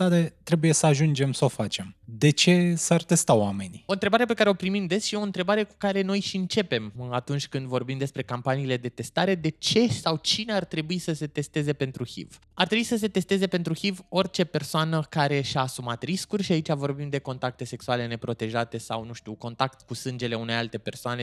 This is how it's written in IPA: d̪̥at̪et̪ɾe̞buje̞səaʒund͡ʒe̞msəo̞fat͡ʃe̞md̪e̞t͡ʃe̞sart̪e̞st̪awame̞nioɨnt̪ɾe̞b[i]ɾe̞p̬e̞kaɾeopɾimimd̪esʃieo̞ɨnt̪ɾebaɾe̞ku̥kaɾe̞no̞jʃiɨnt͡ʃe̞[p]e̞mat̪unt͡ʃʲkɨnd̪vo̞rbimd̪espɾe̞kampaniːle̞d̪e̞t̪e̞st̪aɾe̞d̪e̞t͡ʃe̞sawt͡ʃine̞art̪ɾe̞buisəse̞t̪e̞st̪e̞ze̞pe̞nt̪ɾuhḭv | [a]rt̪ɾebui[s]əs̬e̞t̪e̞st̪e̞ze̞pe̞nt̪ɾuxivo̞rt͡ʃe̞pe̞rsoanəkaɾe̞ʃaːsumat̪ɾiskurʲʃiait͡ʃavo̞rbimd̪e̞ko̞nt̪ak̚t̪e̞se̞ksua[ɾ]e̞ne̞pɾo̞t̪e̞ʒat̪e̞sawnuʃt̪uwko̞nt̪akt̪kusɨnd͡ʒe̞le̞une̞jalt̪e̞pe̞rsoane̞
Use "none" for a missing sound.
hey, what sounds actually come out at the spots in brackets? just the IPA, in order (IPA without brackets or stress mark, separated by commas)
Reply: a, p, a, s, l